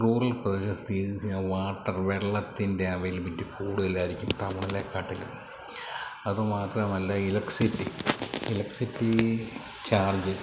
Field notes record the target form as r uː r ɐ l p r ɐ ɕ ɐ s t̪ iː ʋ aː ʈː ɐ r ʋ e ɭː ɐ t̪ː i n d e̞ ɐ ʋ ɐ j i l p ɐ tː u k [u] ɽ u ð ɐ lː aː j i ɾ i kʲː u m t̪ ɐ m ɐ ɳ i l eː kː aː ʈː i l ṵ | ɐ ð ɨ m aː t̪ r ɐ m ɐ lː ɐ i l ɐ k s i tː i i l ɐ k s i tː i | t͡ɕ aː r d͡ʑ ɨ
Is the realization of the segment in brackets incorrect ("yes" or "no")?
yes